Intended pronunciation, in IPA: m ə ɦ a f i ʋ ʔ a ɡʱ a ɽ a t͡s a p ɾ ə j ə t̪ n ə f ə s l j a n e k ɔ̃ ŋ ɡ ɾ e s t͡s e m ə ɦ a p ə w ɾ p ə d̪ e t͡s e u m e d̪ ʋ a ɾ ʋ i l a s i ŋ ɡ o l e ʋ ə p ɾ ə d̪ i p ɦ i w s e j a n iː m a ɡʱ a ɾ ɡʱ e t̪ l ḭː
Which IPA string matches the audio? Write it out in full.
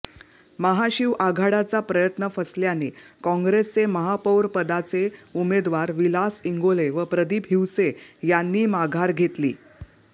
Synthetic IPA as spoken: m ə ɦ a ɕ i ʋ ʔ a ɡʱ a ɽ a t͡s a p ɾ ə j ə t̪ n ə f ə s l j a n e k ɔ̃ ŋ ɡ ɾ e s t͡s e m ə ɦ a p ə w ɾ p ə d̪ a t͡s e u m e d̪ ʋ a ɾ ʋ i l a s i ŋ ɡ o l e ʋ ə p ɾ ə d̪ i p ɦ i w s e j a nː iː m a ɡʱ a ɾ ɡʱ e t̪ l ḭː